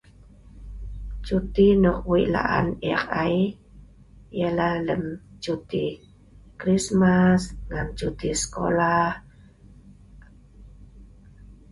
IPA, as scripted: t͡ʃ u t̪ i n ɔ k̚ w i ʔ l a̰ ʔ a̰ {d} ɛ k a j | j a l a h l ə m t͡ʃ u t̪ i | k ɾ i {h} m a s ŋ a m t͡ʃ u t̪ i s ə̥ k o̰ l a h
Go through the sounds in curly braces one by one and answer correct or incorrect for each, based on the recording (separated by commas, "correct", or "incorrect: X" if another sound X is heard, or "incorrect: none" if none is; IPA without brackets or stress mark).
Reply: incorrect: n, incorrect: s